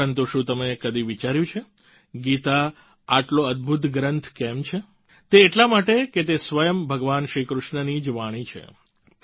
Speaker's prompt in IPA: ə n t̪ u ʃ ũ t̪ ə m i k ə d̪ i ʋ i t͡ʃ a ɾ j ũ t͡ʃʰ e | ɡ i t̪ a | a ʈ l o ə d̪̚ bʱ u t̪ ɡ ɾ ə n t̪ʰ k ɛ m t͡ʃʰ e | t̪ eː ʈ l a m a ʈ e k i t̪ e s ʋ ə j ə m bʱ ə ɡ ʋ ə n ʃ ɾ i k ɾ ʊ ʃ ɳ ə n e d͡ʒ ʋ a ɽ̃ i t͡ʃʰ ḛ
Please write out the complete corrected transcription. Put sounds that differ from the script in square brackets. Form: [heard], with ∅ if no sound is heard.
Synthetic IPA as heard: ə n t̪ u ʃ ũ t̪ ə m [e] k ə d̪ i ʋ i t͡ʃ a ɾ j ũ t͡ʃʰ e | ɡ i t̪ a | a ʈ l o ə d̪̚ bʱ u t̪ ɡ ɾ ə n t̪ʰ k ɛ m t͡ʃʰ e | t̪ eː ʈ l a m a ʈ e k [e] t̪ e s ʋ ə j ə m bʱ ə ɡ ʋ [a] n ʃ ɾ i k ɾ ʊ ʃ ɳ ə n [i] d͡ʒ ʋ a ɽ̃ i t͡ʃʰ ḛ